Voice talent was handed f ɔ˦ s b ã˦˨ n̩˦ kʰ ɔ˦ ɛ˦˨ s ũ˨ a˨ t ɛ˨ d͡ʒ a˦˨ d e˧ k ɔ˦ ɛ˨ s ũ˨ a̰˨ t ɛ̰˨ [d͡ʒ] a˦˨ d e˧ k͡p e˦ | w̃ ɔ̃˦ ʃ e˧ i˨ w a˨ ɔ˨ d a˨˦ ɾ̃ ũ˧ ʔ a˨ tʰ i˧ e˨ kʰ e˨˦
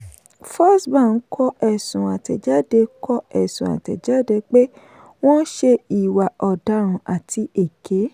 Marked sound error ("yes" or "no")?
no